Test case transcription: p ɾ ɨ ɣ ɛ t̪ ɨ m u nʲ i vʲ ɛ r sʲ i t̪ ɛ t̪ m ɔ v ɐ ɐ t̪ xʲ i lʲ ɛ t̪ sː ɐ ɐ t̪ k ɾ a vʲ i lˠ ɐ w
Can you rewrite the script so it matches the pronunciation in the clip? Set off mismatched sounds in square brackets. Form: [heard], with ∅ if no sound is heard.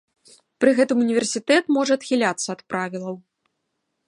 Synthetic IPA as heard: p ɾ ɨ ɣ ɛ t̪ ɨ m u nʲ i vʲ ɛ r sʲ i t̪ ɛ t̪ m ɔ [ʐ] ɐ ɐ t̪ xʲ i lʲ [a] t̪ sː ɐ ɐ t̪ [p] ɾ a vʲ i lˠ ɐ w